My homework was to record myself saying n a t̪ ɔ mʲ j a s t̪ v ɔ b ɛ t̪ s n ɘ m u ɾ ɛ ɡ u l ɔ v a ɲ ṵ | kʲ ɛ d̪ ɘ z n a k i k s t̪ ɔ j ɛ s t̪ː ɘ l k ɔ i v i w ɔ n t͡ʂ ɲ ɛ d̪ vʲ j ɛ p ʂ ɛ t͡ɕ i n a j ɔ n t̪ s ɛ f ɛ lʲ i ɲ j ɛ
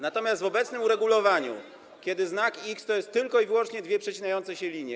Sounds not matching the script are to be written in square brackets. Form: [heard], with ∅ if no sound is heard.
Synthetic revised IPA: n a t̪ ɔ mʲ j a s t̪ v ɔ b ɛ t̪ s n ɘ m u ɾ ɛ ɡ u l ɔ v a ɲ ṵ | kʲ ɛ d̪ ɘ z n a k i k s t̪ ɔ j ɛ s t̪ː ɘ l k ɔ i v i w ɔ n t͡ʂ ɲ ɛ d̪ vʲ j ɛ p ʂ ɛ t͡ɕ i n a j ɔ n t̪ s ɛ [ɕ] ɛ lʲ i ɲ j ɛ